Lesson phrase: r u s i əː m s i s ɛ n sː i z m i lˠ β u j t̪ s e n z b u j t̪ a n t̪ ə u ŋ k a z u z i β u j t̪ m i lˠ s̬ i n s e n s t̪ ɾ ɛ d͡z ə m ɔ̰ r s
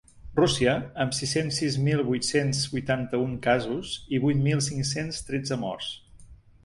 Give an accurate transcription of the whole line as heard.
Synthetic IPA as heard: r u s i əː m s i s e n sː i z m i lˠ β u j t̪ s e n z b u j t̪ a n t̪ ə u ŋ k a z u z i β u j t̪ m i lˠ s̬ i ŋ s e n s t̪ ɾ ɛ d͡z ə m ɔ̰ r s